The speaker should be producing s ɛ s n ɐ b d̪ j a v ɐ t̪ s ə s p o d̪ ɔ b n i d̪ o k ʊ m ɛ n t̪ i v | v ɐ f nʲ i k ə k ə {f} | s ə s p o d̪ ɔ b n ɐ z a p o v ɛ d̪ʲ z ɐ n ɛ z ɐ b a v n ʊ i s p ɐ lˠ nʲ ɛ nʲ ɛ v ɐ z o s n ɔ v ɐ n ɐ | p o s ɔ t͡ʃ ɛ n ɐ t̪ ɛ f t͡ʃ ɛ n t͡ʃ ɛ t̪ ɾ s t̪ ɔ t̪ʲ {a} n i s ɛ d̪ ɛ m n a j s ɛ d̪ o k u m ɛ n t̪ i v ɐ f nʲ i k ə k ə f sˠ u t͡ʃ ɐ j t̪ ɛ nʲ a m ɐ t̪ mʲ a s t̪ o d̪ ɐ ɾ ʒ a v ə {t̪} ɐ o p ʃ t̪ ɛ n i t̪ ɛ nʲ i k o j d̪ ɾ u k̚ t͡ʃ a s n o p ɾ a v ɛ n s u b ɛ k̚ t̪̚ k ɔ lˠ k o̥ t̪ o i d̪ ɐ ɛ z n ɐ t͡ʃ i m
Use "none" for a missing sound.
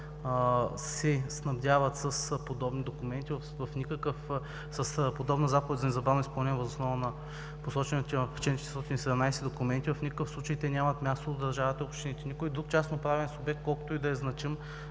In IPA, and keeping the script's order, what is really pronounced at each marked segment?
f, i, t̪

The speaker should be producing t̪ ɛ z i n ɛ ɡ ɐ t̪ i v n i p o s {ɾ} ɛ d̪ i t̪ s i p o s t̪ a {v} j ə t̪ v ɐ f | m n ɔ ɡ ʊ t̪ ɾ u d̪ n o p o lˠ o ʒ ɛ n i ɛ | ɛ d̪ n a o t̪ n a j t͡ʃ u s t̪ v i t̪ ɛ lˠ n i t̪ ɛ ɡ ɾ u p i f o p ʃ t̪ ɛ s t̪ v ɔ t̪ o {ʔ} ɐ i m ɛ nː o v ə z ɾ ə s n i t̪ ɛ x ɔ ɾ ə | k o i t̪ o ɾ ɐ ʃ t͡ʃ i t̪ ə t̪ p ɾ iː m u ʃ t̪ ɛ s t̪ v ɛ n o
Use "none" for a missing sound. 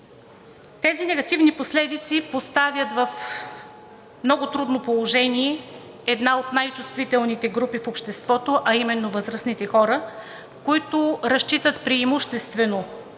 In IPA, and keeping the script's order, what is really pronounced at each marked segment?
l, v, ʔ

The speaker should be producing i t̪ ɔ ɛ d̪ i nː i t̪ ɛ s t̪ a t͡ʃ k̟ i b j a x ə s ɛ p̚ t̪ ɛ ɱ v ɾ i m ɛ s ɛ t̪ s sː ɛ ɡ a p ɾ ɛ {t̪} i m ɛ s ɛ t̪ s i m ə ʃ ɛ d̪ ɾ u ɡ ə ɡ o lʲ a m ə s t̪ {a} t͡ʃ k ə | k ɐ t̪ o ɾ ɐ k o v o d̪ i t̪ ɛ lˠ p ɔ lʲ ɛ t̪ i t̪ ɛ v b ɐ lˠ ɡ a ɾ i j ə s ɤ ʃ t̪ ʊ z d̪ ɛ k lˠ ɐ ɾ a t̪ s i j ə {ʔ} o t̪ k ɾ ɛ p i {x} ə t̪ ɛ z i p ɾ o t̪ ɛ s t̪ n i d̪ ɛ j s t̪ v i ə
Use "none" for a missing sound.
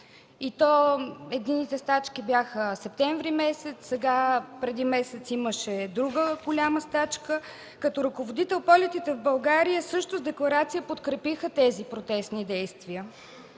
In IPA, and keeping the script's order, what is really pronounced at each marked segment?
d̪, a, p, x

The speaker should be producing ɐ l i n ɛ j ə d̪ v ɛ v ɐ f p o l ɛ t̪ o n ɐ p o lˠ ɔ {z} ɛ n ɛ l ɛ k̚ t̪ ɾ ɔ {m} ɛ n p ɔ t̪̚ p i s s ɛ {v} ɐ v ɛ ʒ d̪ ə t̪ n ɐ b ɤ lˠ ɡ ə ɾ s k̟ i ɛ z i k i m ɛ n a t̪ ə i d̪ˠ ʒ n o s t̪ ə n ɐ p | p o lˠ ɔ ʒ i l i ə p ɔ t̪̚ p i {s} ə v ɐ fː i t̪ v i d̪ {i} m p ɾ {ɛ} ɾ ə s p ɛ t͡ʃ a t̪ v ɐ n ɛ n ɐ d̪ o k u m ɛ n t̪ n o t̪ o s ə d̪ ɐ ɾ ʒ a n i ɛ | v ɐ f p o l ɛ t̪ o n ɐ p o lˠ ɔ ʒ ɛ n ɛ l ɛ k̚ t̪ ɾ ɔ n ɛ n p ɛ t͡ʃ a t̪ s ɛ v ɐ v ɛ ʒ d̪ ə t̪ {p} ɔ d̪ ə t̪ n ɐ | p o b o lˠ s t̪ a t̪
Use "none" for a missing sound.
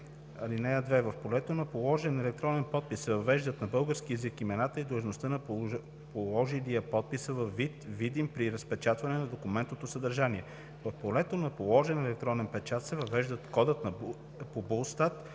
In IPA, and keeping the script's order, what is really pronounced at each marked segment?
ʒ, n, v, s, i, i, k

